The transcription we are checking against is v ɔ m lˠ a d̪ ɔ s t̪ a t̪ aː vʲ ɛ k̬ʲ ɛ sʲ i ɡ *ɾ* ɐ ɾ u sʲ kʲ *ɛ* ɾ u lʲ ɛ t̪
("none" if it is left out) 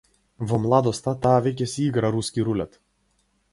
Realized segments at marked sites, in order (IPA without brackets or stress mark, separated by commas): ɾ, i